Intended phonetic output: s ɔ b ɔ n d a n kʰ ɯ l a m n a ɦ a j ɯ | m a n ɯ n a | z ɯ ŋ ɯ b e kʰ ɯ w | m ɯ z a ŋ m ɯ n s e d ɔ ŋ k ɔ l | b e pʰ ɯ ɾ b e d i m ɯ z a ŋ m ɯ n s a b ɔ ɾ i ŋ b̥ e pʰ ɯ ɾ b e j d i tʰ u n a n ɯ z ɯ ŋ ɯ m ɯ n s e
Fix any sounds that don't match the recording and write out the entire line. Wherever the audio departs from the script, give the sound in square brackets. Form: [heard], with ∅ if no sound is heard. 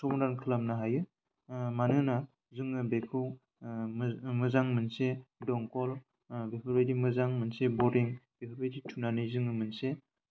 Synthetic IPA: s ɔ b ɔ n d a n kʰ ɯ l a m n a ɦ a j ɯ | m a n ɯ n a | z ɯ ŋ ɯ b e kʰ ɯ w | m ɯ z a ŋ m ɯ n s e d ɔ ŋ k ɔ l | b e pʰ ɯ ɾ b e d i m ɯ z a ŋ m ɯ n s [e] b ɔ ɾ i ŋ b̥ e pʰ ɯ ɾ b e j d i tʰ u n a n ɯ z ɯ ŋ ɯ m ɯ n s e